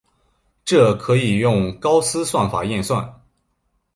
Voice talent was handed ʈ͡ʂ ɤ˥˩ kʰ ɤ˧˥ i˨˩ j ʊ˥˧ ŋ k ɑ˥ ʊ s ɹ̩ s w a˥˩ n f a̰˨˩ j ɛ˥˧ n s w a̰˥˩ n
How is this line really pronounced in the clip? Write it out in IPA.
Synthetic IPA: ʈ͡ʂ ɤ˥˩ kʰ ɤ˧˥ i˨˩ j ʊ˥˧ ŋ k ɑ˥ ʊ s ɹ̩ s w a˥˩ n f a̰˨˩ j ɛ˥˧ n s w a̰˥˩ n